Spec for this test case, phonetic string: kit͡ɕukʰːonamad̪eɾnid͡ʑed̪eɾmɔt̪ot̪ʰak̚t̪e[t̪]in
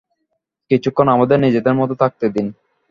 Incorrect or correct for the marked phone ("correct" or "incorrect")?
incorrect